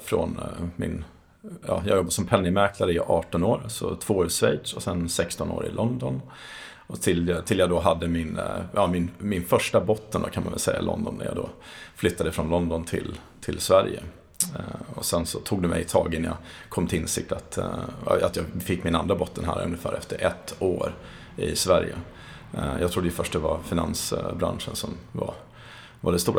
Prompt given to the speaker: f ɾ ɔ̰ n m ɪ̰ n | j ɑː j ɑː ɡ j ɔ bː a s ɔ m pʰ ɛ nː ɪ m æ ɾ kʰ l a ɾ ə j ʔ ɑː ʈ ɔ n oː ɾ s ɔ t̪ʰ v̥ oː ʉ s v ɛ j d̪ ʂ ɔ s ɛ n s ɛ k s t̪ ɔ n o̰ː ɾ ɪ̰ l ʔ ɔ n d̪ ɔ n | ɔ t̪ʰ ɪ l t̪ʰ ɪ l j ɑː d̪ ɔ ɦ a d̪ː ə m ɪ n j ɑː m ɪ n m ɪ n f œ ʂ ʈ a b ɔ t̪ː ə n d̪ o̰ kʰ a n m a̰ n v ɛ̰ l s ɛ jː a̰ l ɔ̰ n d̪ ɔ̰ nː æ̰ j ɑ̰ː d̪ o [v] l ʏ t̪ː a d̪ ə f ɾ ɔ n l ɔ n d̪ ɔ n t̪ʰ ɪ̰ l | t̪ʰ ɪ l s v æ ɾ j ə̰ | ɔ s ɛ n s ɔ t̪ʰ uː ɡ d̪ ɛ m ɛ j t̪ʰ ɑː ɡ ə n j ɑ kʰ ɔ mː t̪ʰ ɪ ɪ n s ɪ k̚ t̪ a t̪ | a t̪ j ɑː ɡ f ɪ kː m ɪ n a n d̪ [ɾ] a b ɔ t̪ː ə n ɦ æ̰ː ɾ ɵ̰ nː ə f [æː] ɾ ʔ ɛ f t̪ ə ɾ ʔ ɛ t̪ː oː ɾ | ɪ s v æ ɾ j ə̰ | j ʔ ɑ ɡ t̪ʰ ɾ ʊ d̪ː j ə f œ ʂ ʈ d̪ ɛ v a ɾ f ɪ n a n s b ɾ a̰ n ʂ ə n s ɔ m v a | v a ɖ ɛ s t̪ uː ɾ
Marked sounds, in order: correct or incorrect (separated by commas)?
incorrect, correct, correct